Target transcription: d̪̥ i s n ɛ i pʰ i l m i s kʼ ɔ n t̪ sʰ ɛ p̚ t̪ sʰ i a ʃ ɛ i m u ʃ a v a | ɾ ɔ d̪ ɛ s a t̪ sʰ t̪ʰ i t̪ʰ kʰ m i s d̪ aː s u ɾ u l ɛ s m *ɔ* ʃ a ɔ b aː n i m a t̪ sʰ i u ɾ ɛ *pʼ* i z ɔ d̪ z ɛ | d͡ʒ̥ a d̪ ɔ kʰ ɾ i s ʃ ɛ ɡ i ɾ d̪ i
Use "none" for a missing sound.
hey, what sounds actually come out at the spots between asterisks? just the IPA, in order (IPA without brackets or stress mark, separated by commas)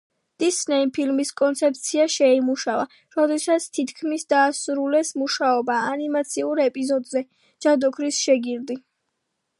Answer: u, pʼ